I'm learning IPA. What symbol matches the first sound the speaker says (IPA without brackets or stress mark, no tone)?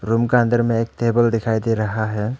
ɾ